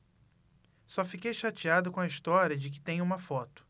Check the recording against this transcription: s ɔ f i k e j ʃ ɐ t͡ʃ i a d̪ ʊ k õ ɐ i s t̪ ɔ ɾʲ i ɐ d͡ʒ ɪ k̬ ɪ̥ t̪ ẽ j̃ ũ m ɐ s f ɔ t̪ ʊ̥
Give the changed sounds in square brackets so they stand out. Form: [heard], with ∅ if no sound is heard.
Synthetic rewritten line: s ɔ f i k e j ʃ [a] t͡ʃ i a d̪ ʊ k õ ɐ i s t̪ ɔ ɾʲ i ɐ d͡ʒ ɪ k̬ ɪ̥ t̪ ẽ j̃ ũ m ɐ [∅] f ɔ t̪ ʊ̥